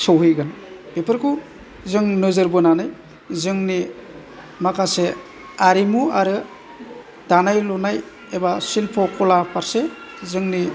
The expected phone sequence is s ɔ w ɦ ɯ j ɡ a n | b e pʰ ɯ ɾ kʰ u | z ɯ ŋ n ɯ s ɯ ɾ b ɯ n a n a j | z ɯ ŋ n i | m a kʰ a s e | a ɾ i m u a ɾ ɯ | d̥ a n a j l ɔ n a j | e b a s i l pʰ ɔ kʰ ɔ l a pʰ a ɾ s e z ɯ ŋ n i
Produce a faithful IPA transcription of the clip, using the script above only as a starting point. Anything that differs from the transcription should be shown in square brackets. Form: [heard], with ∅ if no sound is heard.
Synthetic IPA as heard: s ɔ w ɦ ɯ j ɡ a n | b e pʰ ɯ ɾ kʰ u | z ɯ ŋ n ɯ [z] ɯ ɾ b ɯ n a n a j | z ɯ ŋ n i | m a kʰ a s e | a ɾ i m u a ɾ ɯ | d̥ a n a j l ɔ n a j | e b a s i l pʰ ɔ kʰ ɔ l a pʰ a ɾ s e z ɯ ŋ n i